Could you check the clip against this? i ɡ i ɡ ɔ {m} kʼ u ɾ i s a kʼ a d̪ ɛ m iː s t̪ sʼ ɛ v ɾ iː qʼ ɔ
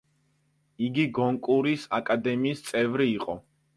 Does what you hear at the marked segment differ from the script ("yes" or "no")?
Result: yes